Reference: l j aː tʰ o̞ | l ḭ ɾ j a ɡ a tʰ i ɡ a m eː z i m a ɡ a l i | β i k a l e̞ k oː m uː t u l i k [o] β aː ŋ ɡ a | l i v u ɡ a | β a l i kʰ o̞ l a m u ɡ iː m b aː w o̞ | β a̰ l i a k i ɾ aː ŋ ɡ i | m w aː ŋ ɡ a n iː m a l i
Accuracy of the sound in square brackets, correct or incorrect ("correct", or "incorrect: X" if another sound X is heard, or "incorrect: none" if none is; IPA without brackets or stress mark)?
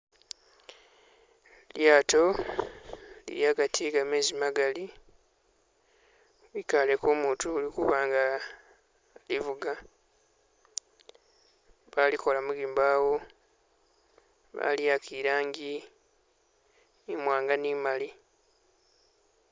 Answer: incorrect: u